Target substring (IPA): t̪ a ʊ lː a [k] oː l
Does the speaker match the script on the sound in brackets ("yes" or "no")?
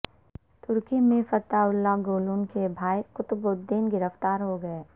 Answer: no